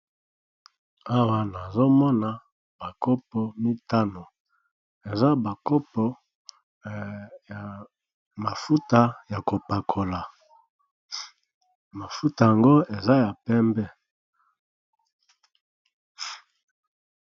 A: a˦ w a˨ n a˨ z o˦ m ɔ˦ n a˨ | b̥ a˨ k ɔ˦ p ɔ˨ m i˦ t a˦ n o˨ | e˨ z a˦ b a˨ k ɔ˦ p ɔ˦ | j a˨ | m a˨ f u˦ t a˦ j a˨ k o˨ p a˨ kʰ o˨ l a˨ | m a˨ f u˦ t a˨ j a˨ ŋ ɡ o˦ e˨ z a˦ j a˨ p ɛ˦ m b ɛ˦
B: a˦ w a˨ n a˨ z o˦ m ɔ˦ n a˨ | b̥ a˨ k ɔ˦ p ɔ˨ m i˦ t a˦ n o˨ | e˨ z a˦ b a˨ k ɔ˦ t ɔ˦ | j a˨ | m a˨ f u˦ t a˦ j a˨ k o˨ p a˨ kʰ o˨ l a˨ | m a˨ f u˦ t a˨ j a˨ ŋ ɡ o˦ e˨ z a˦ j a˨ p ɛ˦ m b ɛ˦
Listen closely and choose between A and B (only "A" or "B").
A